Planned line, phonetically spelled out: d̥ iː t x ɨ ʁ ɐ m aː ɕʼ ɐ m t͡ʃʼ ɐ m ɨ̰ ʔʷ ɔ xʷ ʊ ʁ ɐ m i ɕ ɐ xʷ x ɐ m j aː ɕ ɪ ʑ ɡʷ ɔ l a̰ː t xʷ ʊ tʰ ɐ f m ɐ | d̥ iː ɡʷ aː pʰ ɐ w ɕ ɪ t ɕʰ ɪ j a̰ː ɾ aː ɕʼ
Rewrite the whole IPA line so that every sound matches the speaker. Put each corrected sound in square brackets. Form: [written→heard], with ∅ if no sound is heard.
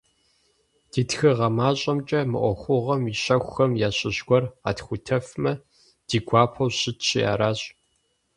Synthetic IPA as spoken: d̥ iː t x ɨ ʁ ɐ m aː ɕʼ ɐ m t͡ʃʼ ɐ m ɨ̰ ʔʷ ɔ xʷ ʊ ʁ ɐ m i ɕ ɐ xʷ x ɐ m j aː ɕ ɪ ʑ ɡʷ ɔ [l→r] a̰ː t xʷ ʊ tʰ ɐ f m ɐ | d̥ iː ɡʷ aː pʰ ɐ w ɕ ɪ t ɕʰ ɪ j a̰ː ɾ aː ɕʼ